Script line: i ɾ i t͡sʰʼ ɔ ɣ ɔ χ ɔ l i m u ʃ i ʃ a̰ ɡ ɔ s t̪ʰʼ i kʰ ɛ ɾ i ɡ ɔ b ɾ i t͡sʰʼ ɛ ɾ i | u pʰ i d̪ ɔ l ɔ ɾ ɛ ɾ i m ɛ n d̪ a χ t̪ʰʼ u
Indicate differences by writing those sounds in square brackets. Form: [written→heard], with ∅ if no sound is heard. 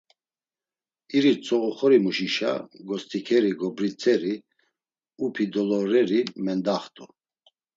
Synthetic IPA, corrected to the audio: i ɾ i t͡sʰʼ ɔ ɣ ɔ χ ɔ [l→ɾ] i m u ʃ i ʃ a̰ ɡ ɔ s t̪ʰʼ i kʰ ɛ ɾ i ɡ ɔ b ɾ i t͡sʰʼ ɛ ɾ i | u pʰ i d̪ ɔ l ɔ ɾ ɛ ɾ i m ɛ n d̪ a χ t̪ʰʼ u